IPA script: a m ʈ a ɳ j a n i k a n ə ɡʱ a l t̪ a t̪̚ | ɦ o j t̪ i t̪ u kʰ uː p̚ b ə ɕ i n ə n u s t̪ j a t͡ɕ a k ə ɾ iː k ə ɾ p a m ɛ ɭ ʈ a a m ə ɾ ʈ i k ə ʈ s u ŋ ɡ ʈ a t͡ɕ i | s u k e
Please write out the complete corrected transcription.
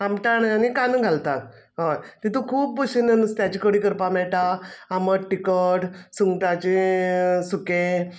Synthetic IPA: a m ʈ a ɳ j a n i k a n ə ɡʱ a l t̪ a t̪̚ | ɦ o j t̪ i t̪ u kʰ uː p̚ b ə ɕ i n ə n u s t̪ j a t͡ɕ i k ə ɽ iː k ə ɾ p a m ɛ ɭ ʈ a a m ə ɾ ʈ i k ə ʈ s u ŋ ɡ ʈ a t͡ɕ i | s u k e